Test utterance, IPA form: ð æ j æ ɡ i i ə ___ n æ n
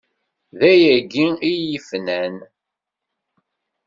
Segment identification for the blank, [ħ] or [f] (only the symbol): f